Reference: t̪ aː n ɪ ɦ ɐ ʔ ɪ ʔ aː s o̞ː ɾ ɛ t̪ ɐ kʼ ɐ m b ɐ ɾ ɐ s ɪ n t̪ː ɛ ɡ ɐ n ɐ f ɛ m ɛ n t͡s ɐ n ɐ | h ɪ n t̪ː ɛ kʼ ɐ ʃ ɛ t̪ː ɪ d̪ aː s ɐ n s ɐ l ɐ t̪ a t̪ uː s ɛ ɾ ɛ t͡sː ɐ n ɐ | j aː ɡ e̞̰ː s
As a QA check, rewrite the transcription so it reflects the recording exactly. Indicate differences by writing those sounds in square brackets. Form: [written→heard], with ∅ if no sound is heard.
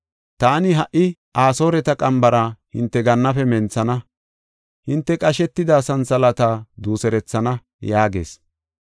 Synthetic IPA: t̪ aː n ɪ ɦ ɐ ʔ ɪ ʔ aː s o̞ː ɾ ɛ t̪ ɐ kʼ ɐ m b ɐ ɾ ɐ [s→h] ɪ n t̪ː ɛ ɡ ɐ [n→nː] ɐ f ɛ m ɛ n t͡s ɐ n ɐ | h ɪ n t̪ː ɛ kʼ ɐ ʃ ɛ t̪ː ɪ d̪ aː s ɐ n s ɐ l ɐ t̪ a [t̪→d̪] uː s ɛ ɾ ɛ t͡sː ɐ n ɐ | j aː ɡ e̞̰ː s